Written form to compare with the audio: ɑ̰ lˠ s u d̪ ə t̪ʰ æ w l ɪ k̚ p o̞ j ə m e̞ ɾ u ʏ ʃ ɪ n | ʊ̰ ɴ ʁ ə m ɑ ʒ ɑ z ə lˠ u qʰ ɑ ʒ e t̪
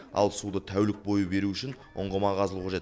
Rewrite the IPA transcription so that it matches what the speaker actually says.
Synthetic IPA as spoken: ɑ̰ lˠ s u d̪ ə t̪ʰ æ w l ɪ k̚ b o̞ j ə b e̞ ɾ u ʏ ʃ ɪ n | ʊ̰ ɴ ʁ ə m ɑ ʁ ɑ z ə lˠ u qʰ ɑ ʒ e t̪